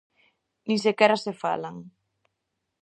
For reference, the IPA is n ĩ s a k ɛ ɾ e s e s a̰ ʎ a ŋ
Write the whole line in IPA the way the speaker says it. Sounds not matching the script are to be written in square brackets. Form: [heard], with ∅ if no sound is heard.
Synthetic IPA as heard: n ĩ s [e] k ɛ ɾ [a] s e [f] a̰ [l] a ŋ